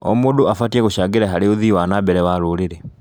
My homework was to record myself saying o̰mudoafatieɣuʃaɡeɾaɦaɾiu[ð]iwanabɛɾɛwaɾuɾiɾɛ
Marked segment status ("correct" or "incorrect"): correct